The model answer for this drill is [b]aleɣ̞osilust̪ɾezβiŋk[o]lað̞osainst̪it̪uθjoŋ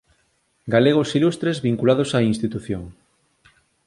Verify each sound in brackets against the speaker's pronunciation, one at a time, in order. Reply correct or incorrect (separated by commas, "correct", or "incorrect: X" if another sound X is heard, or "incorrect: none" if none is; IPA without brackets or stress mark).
incorrect: ɡ, incorrect: u